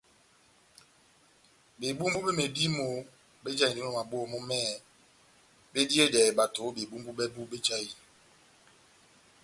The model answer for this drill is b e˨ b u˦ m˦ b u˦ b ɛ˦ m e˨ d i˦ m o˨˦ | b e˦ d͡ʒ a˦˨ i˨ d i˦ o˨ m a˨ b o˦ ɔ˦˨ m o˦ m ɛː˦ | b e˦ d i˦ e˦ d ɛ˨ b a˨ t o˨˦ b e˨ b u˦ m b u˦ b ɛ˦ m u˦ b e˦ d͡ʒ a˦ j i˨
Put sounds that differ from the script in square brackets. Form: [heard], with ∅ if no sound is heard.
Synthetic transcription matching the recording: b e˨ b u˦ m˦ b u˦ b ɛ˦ m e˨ d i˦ m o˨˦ | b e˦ d͡ʒ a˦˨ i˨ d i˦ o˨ m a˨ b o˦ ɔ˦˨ m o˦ m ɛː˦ | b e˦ d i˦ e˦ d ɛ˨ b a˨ t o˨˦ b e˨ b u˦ m b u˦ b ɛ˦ [b] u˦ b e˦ d͡ʒ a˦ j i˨